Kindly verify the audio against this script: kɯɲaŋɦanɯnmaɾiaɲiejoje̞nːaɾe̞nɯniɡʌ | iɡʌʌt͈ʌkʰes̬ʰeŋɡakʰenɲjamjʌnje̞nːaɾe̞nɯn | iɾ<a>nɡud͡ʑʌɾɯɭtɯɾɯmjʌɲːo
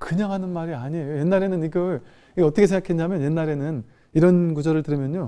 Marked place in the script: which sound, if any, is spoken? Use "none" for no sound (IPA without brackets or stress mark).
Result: ʌ